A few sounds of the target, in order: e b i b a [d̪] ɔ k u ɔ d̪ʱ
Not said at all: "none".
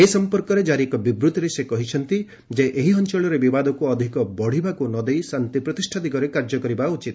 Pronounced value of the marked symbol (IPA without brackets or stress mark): d̪